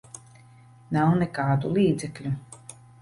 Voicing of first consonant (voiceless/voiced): voiced